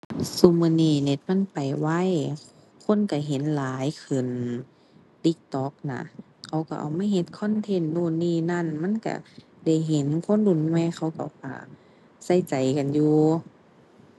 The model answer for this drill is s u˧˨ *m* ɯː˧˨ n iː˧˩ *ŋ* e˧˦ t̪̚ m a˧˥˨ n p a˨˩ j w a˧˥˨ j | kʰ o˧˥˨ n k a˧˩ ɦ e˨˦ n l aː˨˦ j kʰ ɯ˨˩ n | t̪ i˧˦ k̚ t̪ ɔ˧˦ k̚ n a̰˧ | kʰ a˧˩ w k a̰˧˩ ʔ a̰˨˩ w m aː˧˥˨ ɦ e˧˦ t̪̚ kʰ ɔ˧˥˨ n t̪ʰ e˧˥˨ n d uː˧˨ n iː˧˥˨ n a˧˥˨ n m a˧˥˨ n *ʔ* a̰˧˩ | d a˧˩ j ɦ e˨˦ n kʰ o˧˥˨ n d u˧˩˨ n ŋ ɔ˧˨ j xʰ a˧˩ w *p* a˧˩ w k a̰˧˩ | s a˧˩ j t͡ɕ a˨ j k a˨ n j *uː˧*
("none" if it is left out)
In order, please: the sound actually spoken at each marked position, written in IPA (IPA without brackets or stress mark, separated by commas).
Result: m, n, k, k, uː˧